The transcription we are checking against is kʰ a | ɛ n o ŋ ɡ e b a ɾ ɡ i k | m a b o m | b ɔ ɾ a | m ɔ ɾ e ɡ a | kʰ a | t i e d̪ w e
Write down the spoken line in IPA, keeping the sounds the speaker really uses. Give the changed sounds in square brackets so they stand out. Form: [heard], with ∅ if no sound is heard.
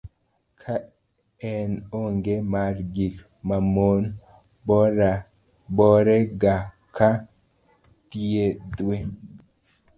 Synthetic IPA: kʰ a | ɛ n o ŋ ɡ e [m] a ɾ ɡ i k | m a [m] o [n] | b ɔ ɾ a | [b] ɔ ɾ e ɡ a | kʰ a | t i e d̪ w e

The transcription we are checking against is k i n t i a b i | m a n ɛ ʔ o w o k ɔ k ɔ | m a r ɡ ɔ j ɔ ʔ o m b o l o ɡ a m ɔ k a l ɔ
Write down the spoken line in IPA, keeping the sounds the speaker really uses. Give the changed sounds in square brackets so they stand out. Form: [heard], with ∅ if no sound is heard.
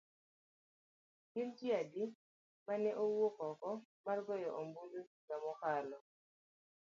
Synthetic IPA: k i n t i a [d] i | m a n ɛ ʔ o w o k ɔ k ɔ | m a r ɡ ɔ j ɔ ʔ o m b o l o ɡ a m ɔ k a l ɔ

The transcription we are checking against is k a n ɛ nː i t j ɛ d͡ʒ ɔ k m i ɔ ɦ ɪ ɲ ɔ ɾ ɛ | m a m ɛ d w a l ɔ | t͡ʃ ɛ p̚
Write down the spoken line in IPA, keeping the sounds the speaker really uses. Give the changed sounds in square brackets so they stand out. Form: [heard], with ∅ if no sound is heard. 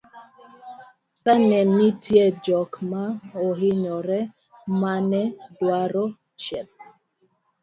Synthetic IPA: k a n ɛ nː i t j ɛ d͡ʒ ɔ k m [a] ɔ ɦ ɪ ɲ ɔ ɾ ɛ | m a [n] ɛ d w a [ɾ] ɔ | t͡ʃ ɛ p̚

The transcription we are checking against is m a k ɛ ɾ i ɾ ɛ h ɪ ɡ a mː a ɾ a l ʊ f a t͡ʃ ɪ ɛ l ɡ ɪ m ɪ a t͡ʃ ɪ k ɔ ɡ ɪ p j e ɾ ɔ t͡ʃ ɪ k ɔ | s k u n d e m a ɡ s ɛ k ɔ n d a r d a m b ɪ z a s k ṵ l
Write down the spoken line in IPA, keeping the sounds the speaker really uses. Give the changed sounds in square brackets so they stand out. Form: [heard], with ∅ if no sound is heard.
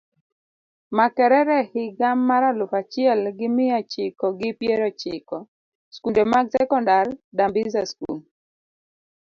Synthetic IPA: m a k ɛ ɾ [ɛ] ɾ ɛ h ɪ ɡ a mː a ɾ a l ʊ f a t͡ʃ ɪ ɛ l ɡ ɪ m ɪ a t͡ʃ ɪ k ɔ ɡ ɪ p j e ɾ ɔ t͡ʃ ɪ k ɔ | s k u n d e m a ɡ s ɛ k ɔ n d a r d a m b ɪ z a s k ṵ l

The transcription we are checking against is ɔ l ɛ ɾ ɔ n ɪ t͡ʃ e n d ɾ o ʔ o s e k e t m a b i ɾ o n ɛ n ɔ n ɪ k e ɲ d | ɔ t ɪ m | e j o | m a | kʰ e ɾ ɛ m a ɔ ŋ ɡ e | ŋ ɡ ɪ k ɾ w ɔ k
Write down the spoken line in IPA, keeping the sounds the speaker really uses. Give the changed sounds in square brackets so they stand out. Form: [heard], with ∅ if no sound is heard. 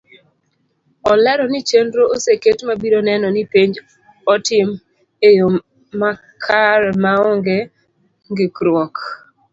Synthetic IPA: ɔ l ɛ ɾ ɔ n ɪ t͡ʃ e n d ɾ o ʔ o s e k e t m a b i ɾ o n ɛ n ɔ n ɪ [p] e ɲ [d͡ʒ] | ɔ t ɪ m | e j o | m a | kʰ [a] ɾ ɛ m a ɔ ŋ ɡ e | ŋ ɡ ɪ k ɾ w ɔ k

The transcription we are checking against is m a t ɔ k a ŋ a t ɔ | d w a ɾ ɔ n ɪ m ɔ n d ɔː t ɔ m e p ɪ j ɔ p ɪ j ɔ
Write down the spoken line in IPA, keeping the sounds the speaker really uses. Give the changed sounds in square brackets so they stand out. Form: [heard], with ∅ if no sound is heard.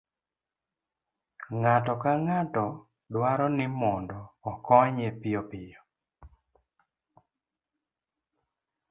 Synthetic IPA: [ŋ] a t ɔ k a ŋ a t ɔ | d w a ɾ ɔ n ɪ m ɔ n d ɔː [k] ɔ [ɲ] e p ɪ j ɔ p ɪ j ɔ

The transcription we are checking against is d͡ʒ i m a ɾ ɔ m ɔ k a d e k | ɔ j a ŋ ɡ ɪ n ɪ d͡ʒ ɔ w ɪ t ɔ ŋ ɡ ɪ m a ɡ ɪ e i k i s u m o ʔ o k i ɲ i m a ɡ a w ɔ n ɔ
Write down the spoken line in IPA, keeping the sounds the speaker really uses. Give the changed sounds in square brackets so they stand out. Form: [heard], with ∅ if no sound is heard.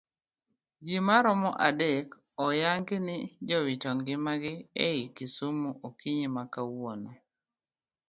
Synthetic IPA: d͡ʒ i m a ɾ ɔ m ɔ [ʔ] a d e k | ɔ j a ŋ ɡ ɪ n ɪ d͡ʒ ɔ w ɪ t ɔ ŋ ɡ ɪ m a ɡ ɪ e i k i s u m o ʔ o k i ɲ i m a [k] a w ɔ n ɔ

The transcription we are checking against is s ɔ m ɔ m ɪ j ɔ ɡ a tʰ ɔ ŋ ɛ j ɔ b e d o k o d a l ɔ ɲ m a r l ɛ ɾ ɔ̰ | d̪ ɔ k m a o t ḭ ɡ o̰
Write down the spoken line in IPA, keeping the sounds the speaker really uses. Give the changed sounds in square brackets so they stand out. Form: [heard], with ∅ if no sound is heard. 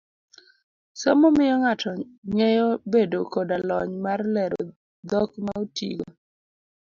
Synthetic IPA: s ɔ m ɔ m ɪ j ɔ [ŋ] a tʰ ɔ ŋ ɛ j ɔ b e d o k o d a l ɔ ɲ m a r l ɛ ɾ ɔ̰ | d̪ ɔ k m a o t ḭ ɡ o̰

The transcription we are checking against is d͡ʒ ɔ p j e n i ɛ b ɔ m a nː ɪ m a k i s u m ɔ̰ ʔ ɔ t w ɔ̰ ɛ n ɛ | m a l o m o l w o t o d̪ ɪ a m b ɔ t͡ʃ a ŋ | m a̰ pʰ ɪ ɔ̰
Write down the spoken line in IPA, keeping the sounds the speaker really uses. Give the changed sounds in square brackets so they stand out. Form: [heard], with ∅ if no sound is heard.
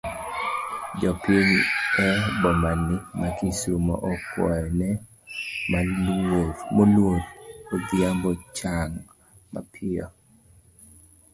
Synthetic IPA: d͡ʒ ɔ p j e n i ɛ b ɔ m a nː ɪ m a k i s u m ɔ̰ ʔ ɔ [k] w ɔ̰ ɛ n ɛ | m a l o m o l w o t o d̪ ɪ a m b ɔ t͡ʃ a ŋ | m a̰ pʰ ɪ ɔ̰

